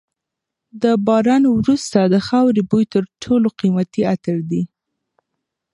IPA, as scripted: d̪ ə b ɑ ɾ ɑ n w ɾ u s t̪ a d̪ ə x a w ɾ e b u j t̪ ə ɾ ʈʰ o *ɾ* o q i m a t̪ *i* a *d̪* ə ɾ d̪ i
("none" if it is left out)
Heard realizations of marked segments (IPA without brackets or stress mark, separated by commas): l, i, t̪